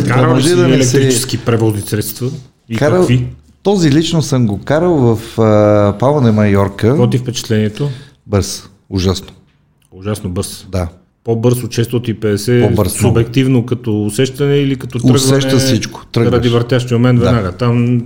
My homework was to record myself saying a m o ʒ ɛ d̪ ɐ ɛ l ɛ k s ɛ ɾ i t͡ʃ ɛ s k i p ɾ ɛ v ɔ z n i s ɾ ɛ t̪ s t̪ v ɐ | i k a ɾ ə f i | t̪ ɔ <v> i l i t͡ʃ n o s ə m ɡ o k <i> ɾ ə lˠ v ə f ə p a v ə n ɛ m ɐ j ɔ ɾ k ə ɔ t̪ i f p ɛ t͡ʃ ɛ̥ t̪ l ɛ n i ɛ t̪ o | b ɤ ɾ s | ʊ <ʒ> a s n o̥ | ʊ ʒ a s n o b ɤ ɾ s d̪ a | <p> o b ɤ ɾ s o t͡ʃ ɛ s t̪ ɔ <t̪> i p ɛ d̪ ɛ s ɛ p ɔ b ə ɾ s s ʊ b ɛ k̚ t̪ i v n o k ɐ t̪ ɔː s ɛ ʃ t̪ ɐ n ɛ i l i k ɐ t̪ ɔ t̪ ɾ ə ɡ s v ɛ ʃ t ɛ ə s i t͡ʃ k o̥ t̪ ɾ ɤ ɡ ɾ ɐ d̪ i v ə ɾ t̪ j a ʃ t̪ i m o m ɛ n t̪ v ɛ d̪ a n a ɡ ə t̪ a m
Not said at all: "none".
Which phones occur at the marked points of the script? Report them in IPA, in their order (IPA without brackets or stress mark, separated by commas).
z, a, ʒ, p, t̪